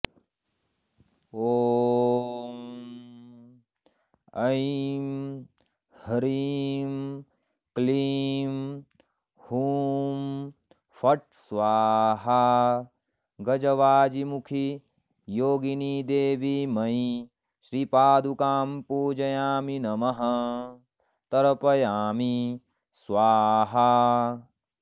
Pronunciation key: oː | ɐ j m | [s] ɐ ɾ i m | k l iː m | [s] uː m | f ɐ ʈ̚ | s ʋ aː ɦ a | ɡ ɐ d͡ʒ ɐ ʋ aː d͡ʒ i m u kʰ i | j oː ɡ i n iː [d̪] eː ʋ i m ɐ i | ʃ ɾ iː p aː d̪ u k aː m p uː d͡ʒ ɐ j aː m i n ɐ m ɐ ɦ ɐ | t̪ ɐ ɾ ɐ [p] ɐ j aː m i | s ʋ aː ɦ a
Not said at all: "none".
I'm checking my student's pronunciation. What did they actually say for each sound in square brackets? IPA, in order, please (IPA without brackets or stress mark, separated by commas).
h, h, d̪, p